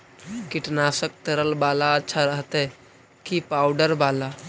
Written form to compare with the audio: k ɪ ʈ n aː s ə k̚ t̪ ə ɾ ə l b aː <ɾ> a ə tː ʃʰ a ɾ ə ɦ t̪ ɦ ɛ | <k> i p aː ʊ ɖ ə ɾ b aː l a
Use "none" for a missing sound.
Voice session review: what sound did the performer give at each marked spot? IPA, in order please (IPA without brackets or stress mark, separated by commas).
l, k